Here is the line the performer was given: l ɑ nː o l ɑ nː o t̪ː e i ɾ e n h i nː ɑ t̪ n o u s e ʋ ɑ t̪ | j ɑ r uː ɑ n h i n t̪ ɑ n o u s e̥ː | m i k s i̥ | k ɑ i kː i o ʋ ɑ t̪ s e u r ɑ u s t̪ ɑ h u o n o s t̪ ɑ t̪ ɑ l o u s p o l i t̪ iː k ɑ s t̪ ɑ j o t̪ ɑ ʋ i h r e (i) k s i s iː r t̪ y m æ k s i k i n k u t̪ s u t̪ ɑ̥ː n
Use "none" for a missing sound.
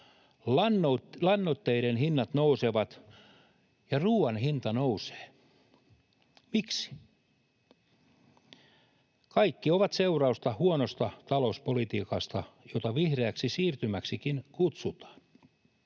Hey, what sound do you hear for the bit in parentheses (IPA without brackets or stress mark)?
æ